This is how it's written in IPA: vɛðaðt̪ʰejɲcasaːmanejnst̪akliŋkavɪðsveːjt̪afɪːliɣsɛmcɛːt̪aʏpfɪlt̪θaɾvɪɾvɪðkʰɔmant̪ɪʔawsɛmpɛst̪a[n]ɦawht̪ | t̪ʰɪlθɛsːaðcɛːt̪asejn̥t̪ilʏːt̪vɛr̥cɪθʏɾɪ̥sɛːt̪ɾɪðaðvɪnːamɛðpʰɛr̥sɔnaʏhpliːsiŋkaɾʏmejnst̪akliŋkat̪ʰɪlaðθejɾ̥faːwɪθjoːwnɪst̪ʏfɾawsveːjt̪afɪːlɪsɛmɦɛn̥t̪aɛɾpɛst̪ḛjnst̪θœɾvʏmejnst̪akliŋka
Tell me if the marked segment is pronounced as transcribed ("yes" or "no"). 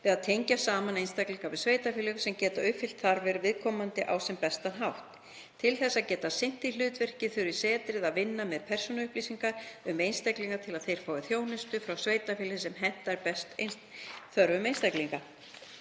yes